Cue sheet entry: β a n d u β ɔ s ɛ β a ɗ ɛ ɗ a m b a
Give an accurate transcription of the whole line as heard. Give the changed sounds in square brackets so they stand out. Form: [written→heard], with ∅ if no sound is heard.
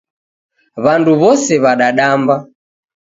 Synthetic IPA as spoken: β a n d u β ɔ s ɛ β a ɗ [ɛ→a] ɗ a m b a